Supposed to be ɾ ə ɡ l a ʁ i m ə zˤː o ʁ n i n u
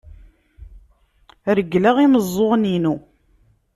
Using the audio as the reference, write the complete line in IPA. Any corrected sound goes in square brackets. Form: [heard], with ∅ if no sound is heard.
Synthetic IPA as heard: ɾ ə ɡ l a ʁ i m ə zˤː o ʁ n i n u